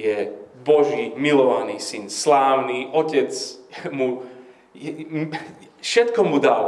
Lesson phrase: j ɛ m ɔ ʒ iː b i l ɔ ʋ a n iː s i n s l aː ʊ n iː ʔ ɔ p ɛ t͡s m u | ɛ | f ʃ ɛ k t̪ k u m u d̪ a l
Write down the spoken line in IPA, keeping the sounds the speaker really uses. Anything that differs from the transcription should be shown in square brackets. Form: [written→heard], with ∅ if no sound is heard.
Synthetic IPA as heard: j ɛ [m→b] ɔ ʒ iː [b→m] i l ɔ ʋ a n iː s i n s l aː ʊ n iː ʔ ɔ [p→c] ɛ t͡s m u | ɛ | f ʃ ɛ [k→∅] t̪ k [u→ɔ] m u d̪ a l